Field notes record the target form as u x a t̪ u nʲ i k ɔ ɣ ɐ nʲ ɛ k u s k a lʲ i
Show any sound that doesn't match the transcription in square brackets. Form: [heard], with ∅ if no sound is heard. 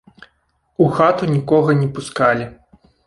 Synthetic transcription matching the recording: u x a t̪ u nʲ i k ɔ ɣ ɐ nʲ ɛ [p] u s k a lʲ i